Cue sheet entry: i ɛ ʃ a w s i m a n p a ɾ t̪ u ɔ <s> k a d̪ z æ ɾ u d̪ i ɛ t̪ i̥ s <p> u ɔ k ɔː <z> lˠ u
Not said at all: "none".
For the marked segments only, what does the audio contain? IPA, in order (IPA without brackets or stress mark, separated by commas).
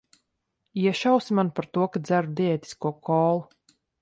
none, k, none